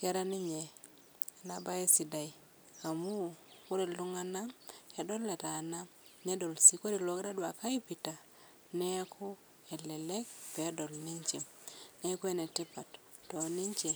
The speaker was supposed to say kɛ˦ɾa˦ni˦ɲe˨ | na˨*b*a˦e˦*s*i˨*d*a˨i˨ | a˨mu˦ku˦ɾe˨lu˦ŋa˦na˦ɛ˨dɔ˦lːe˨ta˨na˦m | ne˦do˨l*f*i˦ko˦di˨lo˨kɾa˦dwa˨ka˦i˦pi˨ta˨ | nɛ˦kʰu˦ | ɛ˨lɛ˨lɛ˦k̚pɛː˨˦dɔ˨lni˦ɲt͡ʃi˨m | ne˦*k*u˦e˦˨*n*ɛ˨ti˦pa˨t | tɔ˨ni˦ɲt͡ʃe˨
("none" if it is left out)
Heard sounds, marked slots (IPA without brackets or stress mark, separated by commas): b, s, d, s, k, n